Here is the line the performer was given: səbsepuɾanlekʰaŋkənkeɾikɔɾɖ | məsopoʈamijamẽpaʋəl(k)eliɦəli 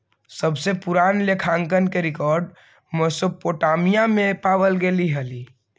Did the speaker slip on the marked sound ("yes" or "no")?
yes